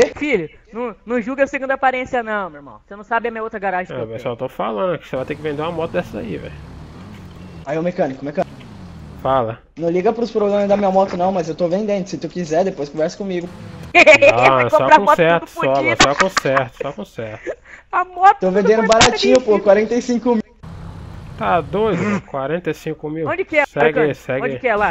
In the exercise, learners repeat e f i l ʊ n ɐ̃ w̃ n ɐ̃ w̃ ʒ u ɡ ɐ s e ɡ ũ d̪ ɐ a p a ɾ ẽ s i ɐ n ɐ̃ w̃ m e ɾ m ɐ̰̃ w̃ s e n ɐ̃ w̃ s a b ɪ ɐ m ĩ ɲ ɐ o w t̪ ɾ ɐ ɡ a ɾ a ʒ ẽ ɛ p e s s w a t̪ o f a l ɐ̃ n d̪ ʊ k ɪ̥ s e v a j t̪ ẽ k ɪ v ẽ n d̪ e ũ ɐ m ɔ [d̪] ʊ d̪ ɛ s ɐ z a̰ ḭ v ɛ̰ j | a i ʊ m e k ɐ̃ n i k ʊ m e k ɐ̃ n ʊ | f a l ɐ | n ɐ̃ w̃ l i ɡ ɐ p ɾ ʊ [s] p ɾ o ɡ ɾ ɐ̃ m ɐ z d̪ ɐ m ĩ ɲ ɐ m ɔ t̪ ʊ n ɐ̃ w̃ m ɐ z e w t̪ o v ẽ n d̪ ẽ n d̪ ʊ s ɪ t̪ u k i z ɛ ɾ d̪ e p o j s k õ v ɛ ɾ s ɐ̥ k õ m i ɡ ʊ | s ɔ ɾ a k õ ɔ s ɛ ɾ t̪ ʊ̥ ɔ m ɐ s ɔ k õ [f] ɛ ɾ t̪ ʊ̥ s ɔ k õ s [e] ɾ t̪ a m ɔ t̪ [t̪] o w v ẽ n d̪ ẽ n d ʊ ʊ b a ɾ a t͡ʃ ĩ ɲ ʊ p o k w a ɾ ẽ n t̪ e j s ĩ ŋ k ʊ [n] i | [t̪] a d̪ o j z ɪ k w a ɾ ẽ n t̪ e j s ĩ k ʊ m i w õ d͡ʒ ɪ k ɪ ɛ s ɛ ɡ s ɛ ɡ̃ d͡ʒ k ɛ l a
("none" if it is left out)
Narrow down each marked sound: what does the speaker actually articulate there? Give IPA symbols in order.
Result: t̪, s, s, ɛ, t̪, m, t̪

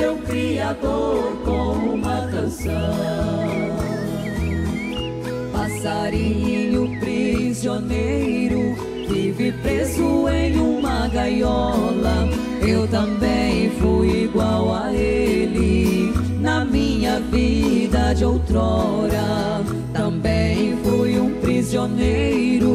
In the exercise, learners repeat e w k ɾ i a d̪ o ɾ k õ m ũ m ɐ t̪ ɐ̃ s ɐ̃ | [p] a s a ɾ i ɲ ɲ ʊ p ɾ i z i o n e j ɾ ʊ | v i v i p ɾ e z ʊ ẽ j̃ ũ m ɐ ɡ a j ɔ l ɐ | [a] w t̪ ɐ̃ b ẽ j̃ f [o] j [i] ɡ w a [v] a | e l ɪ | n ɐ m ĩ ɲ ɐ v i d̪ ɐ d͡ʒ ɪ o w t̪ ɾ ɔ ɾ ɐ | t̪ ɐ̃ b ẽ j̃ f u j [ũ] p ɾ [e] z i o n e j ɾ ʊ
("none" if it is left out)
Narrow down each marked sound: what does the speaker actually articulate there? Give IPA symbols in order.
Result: p, e, u, i, w, ũ, i

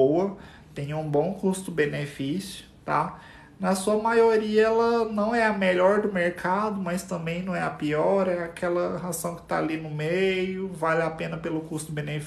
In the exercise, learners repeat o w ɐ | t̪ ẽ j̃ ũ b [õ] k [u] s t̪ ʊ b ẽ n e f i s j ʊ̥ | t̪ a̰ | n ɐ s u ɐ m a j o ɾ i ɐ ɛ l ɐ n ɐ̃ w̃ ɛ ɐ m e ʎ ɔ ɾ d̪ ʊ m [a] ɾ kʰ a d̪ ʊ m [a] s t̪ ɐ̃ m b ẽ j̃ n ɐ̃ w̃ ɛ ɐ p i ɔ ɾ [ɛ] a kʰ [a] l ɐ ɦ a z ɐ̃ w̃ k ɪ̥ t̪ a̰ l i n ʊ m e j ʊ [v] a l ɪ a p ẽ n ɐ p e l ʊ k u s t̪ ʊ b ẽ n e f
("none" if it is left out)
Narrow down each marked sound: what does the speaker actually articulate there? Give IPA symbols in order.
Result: õ, u, e, ɐ, ɛ, ɛ, v

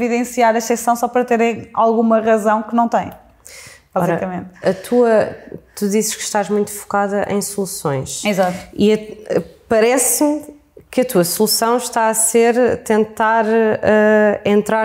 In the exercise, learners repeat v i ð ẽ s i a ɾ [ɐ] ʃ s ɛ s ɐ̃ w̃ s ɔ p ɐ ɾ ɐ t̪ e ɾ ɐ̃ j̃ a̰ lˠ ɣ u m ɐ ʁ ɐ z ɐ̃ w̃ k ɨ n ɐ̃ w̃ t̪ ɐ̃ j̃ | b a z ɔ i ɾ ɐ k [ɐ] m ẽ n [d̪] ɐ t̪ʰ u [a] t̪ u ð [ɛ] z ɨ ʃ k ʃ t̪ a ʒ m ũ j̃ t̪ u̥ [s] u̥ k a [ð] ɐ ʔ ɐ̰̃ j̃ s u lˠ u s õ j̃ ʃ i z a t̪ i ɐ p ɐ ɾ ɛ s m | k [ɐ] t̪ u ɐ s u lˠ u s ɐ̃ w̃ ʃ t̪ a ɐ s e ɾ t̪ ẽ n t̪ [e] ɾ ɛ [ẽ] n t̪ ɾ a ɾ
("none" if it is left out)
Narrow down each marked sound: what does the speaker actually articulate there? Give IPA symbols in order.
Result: ɐ, ɐ, t̪, ɐ, i, f, ð, ɐ, a, ẽ

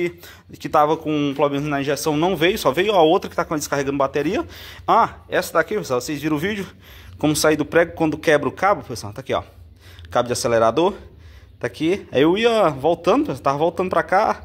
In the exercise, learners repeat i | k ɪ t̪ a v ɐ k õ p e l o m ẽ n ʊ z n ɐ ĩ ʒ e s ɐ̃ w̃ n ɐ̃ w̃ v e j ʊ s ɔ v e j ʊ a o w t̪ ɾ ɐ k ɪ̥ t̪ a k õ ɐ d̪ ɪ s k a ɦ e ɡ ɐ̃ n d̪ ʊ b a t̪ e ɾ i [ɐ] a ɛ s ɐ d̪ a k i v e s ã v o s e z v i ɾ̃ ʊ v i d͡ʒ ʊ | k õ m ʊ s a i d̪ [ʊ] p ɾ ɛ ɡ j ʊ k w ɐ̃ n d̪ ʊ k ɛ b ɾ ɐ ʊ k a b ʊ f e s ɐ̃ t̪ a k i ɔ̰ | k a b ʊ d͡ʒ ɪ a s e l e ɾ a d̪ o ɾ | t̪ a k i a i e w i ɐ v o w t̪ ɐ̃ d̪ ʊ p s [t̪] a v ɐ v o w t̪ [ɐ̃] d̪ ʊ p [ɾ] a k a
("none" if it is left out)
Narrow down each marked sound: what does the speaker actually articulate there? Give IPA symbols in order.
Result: ɐ, ʊ, t̪, ɐ̃, ɾ

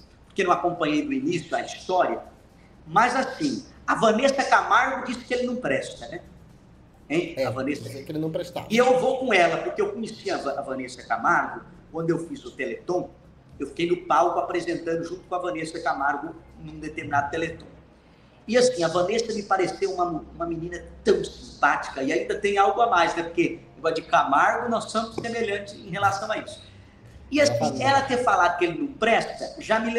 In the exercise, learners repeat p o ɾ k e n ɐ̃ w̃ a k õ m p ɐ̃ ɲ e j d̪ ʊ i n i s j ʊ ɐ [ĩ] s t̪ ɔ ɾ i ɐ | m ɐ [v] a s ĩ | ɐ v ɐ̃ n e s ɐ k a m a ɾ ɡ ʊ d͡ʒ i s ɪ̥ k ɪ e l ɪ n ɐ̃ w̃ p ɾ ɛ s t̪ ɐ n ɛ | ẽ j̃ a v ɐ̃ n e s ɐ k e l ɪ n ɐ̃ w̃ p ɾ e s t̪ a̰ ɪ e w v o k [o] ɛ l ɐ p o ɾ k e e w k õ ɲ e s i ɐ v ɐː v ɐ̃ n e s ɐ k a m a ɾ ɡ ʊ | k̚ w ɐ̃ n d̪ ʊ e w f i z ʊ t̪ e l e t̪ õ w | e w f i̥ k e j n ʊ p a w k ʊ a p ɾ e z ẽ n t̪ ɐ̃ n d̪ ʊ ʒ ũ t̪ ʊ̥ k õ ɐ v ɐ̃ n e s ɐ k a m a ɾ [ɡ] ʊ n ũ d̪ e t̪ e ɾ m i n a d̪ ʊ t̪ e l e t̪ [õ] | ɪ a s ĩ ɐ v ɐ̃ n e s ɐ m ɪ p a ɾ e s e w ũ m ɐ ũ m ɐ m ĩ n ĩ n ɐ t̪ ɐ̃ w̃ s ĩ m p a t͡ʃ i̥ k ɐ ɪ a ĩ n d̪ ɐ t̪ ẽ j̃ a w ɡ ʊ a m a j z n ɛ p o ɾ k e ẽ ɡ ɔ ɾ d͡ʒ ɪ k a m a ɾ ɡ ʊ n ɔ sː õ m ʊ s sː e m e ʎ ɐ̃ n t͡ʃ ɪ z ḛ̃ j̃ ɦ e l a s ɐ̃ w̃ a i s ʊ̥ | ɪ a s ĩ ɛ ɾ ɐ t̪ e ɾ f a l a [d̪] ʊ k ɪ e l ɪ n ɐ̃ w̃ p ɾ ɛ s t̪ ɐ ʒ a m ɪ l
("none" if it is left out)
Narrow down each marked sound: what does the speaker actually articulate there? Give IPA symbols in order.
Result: i, z, õ, ɡ, õ, d̪

